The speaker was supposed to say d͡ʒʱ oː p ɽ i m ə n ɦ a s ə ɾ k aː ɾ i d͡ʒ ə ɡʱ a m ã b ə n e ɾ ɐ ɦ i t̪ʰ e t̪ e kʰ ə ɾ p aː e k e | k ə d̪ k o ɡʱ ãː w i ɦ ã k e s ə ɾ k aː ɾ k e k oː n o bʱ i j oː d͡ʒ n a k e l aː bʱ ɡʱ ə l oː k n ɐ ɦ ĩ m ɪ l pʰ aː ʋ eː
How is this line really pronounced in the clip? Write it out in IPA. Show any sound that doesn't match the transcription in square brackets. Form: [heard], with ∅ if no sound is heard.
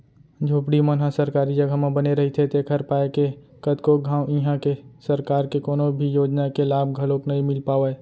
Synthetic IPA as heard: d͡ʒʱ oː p ɽ i m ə n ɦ a s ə ɾ k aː ɾ i d͡ʒ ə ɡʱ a m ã b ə n e ɾ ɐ ɦ i t̪ʰ e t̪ e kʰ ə ɾ p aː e k e | k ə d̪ k o ɡʱ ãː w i ɦ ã k e s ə ɾ k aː ɾ k e k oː n o bʱ i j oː d͡ʒ n a k e l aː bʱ ɡʱ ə l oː k n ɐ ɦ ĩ m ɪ l [p] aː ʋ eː

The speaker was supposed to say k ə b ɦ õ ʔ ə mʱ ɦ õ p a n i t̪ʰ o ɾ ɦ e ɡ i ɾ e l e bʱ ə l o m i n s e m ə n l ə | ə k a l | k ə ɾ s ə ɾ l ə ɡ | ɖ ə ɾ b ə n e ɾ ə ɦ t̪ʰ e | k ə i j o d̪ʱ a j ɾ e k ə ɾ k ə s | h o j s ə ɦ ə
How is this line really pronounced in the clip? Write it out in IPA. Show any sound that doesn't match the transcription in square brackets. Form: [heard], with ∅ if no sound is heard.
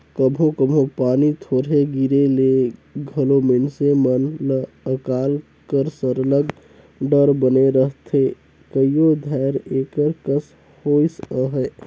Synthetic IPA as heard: k ə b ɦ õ [k] ə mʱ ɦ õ p a n i t̪ʰ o ɾ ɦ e ɡ i ɾ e l e [ɡʱ] ə l o m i n s e m ə n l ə | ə k a l | k ə ɾ s ə ɾ l ə ɡ | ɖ ə ɾ b ə n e ɾ ə ɦ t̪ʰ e | k ə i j o d̪ʱ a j ɾ e k ə ɾ k ə s | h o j s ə ɦ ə

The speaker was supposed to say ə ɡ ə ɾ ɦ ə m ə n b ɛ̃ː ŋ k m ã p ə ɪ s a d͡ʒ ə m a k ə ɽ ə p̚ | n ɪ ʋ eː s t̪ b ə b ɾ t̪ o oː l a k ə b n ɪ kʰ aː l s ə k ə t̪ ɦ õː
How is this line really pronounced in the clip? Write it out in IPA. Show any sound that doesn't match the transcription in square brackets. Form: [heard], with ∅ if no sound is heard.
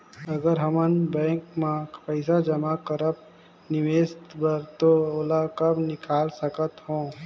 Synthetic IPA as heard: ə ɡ ə ɾ ɦ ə m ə n b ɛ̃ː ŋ k m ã p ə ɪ s a d͡ʒ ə m a k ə [ɾ] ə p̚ | n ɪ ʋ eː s t̪ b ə [∅] ɾ t̪ o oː l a k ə b n ɪ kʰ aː l s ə k ə t̪ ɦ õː

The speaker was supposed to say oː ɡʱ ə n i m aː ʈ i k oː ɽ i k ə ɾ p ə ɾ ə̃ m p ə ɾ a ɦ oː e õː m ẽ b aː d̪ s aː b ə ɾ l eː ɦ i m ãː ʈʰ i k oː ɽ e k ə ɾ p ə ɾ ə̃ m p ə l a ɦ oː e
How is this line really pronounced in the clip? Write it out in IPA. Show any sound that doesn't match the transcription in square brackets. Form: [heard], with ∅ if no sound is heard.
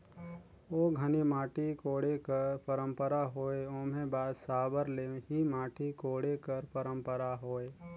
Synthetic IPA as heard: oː ɡʱ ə n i m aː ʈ i k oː ɽ [e] k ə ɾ p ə ɾ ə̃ m p ə ɾ a ɦ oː e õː m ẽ b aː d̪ s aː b ə ɾ l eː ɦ i m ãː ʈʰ i k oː ɽ e k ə ɾ p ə ɾ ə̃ m p ə [ɾ] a ɦ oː e

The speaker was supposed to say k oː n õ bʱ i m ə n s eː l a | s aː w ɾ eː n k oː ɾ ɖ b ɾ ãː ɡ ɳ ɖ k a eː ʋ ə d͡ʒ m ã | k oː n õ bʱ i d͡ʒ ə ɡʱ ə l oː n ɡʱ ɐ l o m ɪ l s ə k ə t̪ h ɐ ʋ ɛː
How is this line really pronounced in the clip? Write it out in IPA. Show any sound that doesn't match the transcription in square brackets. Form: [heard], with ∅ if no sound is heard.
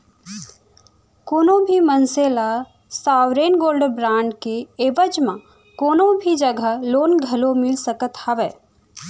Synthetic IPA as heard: k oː n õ bʱ i m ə n s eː l a | s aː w ɾ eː n [ɡ] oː [l] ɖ b ɾ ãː [∅] ɳ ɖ k [e] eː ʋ ə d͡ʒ m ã | k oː n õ bʱ i d͡ʒ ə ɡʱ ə l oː n ɡʱ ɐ l o m ɪ l s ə k ə t̪ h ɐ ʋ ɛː

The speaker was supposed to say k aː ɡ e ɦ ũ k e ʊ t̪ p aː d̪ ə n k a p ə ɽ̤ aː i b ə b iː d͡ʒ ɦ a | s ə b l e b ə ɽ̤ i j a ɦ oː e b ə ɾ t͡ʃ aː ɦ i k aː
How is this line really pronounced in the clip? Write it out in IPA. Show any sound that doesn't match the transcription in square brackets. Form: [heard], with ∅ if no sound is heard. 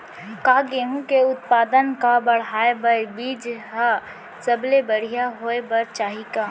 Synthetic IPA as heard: k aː ɡ e ɦ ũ k e ʊ t̪ p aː d̪ ə n k a [b] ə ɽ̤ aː [e] b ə b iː d͡ʒ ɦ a | s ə b l e b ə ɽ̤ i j a ɦ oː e b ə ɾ t͡ʃ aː ɦ i k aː

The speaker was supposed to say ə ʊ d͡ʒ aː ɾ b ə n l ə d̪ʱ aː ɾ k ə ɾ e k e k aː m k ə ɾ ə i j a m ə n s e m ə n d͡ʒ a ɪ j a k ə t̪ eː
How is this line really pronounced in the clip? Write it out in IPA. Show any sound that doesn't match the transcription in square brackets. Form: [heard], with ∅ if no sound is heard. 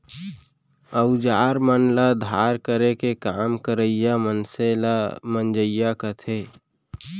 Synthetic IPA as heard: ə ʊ d͡ʒ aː ɾ [m] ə n l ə d̪ʱ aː ɾ k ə ɾ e k e k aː m k ə ɾ ə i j a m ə n s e m ə n d͡ʒ [ə] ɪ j a k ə [t̪ʰ] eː

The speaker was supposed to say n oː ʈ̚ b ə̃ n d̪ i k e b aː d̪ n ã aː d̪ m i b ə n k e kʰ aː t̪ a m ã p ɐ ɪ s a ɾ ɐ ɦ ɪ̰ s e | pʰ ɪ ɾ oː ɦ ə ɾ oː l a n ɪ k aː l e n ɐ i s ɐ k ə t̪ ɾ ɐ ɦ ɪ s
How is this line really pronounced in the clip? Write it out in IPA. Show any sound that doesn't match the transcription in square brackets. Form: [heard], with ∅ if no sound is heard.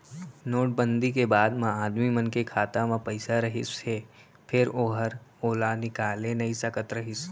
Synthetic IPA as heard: n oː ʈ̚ b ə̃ n d̪ i k e b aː d̪ [m] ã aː d̪ m i [m] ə n k e kʰ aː t̪ a m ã p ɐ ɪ s a ɾ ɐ ɦ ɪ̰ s e | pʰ ɪ ɾ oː ɦ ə ɾ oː l a n ɪ k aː l e n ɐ i s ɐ k ə t̪ ɾ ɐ ɦ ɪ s

